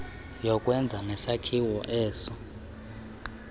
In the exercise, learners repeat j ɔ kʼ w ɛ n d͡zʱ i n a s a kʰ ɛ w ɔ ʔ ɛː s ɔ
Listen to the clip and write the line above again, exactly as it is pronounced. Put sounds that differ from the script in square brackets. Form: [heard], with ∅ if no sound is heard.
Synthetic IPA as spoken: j ɔ kʼ w ɛ n d͡zʱ [a] n [ɛ] s a kʰ [i] w ɔ ʔ ɛː s ɔ